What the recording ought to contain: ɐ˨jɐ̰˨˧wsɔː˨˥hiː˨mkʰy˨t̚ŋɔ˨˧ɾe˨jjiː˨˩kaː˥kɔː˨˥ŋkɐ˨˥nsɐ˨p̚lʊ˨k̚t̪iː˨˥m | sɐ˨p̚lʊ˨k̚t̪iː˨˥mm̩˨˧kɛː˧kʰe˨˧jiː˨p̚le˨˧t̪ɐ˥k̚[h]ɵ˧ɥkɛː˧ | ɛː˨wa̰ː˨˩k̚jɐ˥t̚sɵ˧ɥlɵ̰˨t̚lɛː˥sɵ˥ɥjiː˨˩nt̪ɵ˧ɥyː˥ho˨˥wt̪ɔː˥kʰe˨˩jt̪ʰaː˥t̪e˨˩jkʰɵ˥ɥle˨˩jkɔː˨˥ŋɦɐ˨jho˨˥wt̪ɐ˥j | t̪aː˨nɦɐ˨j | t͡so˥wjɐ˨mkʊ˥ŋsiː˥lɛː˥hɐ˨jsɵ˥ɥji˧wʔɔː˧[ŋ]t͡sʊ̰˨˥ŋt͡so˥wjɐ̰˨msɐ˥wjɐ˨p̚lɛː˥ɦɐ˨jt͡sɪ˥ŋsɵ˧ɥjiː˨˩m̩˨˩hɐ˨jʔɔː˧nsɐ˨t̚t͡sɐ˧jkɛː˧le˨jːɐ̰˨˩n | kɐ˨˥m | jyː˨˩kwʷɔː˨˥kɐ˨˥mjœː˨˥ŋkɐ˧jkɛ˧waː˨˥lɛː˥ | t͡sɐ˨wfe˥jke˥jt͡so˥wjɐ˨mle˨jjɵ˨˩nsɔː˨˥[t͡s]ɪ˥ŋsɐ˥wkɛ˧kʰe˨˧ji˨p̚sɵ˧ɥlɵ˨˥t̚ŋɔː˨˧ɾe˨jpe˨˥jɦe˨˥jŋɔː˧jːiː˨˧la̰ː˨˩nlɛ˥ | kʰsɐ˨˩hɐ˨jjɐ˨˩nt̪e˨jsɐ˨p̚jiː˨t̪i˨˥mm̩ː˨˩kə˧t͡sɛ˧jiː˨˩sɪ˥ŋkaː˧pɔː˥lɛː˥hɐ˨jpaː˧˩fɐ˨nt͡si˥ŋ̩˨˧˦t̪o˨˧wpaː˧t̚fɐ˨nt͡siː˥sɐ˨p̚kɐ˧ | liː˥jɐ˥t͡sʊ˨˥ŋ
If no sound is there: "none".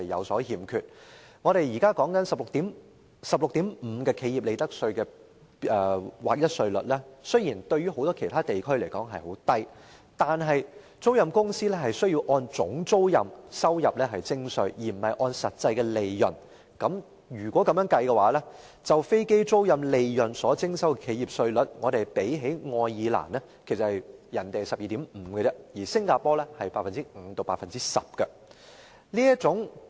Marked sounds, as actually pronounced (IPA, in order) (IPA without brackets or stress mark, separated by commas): s, n, t͡s